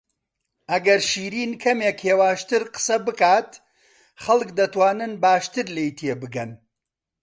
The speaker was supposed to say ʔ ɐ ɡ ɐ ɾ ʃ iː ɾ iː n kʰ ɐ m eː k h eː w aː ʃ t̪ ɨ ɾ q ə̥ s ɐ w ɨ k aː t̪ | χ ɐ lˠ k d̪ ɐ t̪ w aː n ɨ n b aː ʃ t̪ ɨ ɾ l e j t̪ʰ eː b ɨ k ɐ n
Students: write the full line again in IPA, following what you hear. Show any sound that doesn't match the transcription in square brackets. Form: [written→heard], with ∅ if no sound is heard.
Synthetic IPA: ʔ ɐ ɡ ɐ ɾ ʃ iː ɾ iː n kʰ ɐ m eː k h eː w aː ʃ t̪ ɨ ɾ q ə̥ s ɐ [w→b] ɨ k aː t̪ | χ ɐ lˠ k d̪ ɐ t̪ w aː n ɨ n b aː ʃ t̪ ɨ ɾ l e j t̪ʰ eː b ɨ [k→ɡ] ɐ n